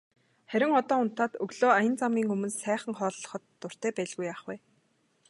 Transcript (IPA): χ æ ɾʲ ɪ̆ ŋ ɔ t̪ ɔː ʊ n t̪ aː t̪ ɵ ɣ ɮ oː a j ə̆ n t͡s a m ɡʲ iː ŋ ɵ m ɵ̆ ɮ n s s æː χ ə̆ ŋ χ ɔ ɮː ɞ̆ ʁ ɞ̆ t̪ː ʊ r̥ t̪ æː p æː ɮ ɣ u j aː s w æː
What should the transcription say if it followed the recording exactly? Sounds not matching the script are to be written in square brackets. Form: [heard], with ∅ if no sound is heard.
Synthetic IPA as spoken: χ æ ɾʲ ɪ̆ ŋ ɔ t̪ ɔː ʊ n t̪ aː t̪ ɵ ɣ ɮ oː a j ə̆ n t͡s a m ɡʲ iː ŋ ɵ m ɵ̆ [∅] n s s æː χ ə̆ ŋ χ [ɔː] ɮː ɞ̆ [χ] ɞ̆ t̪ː ʊ r̥ t̪ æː p æː ɮ ɣ u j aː [χ] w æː